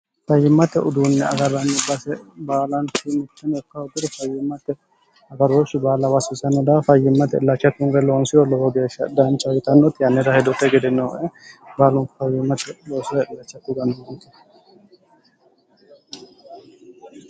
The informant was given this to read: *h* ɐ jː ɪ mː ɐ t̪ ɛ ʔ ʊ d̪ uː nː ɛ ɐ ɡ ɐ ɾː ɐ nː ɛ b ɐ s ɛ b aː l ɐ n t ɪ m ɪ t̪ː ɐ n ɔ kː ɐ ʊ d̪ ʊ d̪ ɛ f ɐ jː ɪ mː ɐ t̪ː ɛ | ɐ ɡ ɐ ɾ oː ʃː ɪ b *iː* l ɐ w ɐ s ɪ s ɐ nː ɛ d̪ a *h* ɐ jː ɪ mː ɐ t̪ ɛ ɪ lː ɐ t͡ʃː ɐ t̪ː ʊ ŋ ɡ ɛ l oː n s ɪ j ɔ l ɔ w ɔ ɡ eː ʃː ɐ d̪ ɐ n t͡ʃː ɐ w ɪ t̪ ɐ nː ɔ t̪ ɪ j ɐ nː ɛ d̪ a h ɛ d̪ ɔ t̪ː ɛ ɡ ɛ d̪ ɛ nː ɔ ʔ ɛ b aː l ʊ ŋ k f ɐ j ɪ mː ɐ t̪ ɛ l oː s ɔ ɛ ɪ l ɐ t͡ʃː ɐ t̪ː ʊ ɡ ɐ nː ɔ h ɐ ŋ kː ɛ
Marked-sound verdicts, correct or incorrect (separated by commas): incorrect, incorrect, incorrect